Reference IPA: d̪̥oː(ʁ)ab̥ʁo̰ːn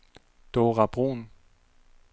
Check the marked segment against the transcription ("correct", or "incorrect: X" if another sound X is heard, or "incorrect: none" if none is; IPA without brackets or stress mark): correct